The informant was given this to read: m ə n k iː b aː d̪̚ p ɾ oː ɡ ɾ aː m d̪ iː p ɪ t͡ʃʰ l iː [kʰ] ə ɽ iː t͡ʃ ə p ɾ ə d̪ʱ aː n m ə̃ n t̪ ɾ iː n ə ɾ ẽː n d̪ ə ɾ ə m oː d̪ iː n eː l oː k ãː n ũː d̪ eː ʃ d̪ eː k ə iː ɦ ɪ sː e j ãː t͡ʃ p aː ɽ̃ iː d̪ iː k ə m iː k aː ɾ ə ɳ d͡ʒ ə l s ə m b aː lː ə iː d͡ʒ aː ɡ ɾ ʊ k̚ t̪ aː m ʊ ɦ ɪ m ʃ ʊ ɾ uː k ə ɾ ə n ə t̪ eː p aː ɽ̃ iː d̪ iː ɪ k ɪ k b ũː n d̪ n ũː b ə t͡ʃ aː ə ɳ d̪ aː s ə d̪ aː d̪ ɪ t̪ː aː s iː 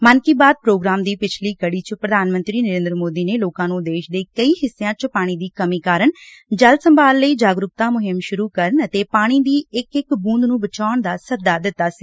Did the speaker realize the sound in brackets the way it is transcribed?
no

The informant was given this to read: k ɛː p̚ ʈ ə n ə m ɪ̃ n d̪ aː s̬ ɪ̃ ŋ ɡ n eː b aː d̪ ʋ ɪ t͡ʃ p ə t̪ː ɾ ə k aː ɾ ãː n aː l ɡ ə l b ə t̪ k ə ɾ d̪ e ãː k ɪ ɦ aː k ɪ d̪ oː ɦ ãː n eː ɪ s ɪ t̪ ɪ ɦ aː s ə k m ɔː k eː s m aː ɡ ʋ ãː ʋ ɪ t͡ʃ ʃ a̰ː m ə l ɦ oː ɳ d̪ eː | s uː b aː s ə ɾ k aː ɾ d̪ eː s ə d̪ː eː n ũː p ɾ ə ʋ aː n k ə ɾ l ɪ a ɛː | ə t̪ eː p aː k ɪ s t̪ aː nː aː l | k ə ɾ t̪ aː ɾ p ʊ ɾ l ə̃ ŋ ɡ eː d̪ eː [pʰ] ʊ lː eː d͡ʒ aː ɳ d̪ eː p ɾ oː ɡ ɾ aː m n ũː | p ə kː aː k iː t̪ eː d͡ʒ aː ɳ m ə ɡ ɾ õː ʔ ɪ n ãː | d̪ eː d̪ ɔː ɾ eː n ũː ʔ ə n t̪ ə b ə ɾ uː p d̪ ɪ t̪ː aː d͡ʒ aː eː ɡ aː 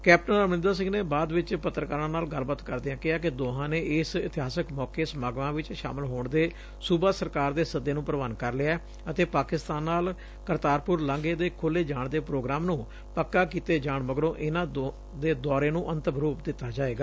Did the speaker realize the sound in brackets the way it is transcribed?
no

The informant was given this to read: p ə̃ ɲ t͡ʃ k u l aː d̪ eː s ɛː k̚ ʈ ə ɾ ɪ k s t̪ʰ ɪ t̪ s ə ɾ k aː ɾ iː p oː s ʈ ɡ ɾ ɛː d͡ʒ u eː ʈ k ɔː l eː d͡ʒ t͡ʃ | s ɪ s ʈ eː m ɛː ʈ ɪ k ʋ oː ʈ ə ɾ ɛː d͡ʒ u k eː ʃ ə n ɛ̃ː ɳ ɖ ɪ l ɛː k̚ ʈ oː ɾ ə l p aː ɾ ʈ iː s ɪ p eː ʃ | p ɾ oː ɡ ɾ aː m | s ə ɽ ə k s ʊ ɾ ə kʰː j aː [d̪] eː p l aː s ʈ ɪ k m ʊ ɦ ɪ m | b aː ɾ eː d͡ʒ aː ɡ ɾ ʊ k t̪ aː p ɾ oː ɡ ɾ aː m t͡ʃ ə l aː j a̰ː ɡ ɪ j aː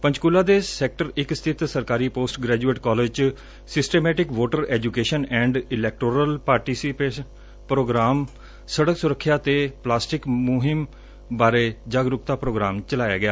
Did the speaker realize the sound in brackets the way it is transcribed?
no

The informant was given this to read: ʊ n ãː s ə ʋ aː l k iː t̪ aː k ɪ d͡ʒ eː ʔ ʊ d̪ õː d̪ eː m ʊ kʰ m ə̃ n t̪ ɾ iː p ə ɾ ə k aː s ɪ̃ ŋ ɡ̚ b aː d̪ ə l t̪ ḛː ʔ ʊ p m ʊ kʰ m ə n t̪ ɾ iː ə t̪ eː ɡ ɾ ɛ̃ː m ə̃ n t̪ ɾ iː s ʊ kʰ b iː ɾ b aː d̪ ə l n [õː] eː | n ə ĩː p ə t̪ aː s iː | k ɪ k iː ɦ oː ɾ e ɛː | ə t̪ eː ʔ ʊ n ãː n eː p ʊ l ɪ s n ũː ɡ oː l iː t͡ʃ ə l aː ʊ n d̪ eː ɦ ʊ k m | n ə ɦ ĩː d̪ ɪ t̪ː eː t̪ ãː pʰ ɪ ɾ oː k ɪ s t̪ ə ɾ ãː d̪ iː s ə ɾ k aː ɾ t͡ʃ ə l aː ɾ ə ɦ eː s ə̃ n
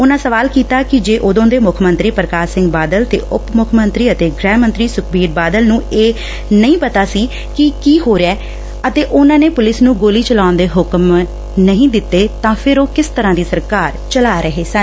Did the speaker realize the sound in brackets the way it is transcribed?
no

